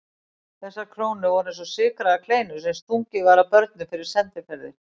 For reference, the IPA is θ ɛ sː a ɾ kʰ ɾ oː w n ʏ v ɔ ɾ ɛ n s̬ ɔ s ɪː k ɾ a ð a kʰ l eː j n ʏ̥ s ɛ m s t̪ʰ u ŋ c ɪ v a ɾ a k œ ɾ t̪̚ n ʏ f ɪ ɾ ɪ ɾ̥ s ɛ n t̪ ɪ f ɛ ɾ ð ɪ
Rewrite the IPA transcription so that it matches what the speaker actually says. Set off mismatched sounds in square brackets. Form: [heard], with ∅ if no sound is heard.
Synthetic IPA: θ ɛ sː a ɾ kʰ ɾ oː w n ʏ v ɔ ɾ ɛ n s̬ ɔ s ɪː k ɾ a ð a kʰ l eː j n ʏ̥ s ɛ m s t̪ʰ u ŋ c ɪ v a ɾ a [p] œ ɾ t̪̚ n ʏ f ɪ ɾ ɪ ɾ̥ s ɛ n t̪ ɪ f ɛ ɾ ð ɪ